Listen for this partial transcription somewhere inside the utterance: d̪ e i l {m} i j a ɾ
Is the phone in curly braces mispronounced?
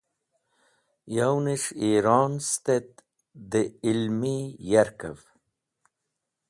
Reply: no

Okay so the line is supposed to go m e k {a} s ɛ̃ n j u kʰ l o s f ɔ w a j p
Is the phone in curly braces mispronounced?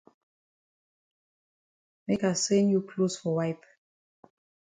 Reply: no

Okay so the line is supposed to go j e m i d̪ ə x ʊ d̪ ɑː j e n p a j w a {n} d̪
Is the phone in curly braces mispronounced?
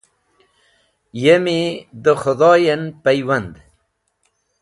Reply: no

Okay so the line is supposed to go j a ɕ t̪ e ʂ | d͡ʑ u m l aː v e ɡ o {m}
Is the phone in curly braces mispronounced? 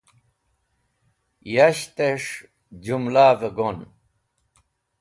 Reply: yes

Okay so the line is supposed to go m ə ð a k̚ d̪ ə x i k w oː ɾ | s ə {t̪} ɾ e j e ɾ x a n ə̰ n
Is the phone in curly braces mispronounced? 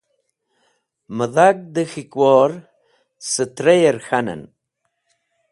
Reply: no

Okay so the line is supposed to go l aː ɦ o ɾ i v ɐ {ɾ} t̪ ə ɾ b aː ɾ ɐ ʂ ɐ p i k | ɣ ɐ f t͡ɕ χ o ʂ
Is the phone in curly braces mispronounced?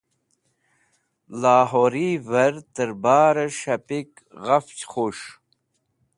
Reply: no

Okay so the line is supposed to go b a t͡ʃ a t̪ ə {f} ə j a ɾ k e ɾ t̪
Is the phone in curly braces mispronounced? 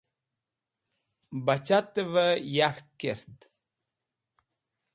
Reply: yes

